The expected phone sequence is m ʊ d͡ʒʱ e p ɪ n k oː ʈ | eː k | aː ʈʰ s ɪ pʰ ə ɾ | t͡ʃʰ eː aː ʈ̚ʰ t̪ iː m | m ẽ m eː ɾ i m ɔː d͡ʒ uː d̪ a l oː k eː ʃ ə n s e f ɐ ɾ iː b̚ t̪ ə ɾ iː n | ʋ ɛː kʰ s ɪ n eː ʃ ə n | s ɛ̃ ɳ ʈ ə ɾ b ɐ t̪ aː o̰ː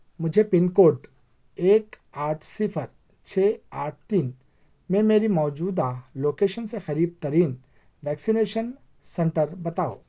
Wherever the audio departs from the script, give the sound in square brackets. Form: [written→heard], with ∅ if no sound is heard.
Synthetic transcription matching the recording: m ʊ d͡ʒʱ e p ɪ n k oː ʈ | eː k | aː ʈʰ s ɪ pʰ ə ɾ | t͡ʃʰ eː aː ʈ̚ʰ t̪ iː [m→n] | m ẽ m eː ɾ i m ɔː d͡ʒ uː d̪ a l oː k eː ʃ ə n s e [f→x] ɐ ɾ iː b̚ t̪ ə ɾ iː n | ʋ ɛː [kʰ→k] s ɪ n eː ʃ ə n | s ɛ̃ ɳ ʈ ə ɾ b ɐ t̪ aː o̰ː